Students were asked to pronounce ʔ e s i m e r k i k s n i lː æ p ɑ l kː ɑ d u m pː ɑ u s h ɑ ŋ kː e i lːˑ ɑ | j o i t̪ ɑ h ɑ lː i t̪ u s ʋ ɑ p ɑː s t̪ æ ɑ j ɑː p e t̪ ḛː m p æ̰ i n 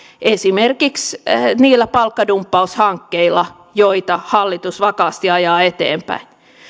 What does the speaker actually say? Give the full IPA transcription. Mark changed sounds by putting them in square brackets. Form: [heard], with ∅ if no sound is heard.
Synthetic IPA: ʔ e s i m e r k i k s n [iː] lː æ p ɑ l kː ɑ d u m pː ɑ u s h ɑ ŋ kː e i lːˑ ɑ | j o i t̪ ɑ h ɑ lː i t̪ u s ʋ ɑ [k] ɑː s t̪ [i] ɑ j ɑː [∅] e t̪ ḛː m p æ̰ i n